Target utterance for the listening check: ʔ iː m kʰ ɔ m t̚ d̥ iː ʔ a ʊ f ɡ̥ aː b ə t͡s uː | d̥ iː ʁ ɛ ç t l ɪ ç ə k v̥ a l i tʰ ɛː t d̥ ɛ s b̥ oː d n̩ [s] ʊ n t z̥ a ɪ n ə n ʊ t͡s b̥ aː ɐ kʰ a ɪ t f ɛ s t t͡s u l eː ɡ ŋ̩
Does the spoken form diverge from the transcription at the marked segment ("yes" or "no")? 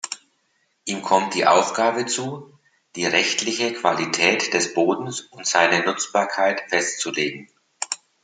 no